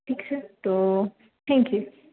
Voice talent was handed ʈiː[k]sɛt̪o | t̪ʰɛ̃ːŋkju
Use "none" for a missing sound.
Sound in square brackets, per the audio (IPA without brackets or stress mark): k